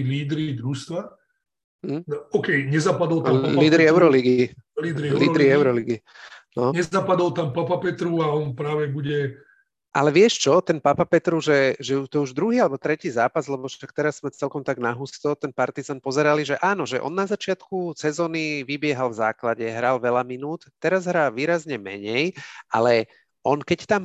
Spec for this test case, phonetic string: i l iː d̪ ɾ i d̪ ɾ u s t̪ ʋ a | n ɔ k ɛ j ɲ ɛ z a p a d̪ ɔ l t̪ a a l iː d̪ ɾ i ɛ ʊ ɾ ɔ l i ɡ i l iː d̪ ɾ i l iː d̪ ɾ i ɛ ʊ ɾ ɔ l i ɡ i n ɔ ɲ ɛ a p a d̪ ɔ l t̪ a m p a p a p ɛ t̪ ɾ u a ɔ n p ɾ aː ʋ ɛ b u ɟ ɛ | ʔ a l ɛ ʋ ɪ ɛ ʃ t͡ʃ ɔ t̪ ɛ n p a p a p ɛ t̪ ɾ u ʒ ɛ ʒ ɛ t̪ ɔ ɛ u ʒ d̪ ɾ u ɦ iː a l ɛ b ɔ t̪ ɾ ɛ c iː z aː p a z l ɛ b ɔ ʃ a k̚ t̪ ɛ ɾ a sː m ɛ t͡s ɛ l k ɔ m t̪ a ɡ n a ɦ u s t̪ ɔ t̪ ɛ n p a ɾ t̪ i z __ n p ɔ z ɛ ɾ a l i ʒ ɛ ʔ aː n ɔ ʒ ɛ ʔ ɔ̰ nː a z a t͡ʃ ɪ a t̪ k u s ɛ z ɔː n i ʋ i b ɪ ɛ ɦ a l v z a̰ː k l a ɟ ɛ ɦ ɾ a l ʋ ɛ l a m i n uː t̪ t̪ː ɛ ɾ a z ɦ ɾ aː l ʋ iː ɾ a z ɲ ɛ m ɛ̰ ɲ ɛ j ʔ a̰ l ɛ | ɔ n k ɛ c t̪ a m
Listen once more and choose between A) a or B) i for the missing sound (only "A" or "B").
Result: A